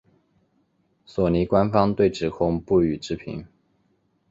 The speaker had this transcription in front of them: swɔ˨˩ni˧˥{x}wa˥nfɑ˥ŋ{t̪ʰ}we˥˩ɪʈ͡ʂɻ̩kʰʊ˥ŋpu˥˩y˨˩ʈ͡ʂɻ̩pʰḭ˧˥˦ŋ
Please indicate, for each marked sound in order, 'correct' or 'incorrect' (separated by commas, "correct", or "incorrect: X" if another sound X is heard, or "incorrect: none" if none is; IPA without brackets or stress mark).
incorrect: k, incorrect: t̪